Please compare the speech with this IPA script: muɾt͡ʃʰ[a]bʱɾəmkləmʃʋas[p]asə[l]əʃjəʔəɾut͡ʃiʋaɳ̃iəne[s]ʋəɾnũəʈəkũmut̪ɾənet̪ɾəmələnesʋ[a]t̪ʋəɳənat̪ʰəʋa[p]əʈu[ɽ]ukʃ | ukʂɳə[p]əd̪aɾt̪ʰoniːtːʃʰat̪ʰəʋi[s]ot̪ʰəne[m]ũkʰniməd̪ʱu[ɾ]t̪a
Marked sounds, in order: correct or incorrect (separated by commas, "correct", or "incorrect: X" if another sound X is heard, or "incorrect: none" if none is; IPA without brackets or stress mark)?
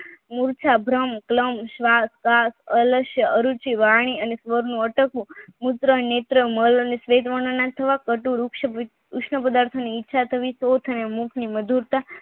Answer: correct, incorrect: k, correct, correct, incorrect: e, incorrect: k, incorrect: ɾ, correct, correct, correct, correct